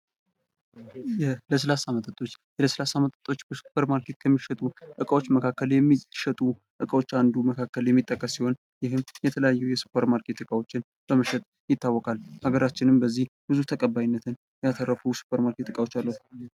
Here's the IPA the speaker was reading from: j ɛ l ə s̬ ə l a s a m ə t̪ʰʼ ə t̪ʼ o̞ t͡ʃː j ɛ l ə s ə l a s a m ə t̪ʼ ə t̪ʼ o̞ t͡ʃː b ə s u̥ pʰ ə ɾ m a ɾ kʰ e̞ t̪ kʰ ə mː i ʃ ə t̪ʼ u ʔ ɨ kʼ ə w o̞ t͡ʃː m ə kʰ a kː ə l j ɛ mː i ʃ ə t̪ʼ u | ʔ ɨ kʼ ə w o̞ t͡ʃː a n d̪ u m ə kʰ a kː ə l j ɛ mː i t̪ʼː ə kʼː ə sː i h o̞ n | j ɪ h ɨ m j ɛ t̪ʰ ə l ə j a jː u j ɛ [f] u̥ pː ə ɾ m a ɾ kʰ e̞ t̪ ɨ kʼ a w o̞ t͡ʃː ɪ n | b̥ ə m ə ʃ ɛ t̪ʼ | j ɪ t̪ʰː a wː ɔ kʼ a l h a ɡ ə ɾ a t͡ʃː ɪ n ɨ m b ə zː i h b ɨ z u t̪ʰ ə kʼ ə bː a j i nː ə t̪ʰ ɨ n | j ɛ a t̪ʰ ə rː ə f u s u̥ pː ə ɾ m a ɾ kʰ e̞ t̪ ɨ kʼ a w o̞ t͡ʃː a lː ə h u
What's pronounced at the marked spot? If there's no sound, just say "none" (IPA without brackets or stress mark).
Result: s